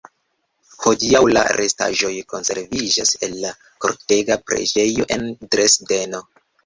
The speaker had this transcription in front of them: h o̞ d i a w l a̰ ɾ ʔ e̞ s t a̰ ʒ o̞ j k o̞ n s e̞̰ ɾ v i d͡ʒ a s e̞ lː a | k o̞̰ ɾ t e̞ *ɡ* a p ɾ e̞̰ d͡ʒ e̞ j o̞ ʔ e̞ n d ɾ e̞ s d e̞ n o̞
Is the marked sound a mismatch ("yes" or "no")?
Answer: no